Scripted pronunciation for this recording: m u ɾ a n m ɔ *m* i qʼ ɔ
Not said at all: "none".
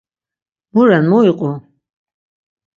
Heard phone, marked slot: none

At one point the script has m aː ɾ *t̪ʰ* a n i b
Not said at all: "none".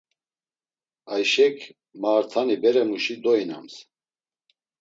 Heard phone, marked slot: t̪ʰ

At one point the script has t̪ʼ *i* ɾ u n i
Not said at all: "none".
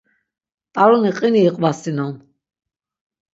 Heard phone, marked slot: a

